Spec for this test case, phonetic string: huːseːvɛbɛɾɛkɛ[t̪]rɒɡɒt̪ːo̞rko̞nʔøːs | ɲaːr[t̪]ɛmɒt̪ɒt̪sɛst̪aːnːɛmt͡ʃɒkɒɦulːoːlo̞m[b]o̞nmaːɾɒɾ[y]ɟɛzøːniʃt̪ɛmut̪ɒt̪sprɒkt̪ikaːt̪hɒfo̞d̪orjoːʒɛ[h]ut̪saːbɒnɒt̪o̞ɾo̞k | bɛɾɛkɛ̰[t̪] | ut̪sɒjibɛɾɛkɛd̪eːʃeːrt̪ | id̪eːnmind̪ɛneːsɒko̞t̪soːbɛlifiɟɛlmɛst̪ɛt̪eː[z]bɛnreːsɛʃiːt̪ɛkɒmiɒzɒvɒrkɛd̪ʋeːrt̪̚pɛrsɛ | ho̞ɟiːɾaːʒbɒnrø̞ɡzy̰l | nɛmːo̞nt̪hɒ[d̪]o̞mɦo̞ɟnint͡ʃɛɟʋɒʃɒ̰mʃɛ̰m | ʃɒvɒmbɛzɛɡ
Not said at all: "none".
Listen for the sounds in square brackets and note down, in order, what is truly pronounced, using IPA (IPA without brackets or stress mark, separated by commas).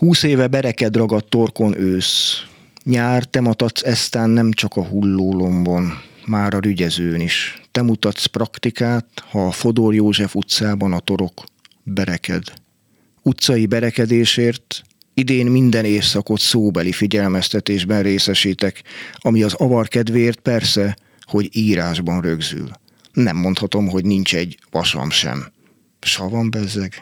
d̪, t̪, b, y, f, d̪, ʒ, t̪